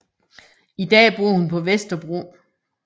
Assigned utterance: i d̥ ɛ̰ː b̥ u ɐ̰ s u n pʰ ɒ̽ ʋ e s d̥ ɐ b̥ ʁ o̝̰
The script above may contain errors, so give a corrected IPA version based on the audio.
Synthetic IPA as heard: i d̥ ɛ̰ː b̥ u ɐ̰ h u n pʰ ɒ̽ ʋ e s d̥ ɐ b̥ ʁ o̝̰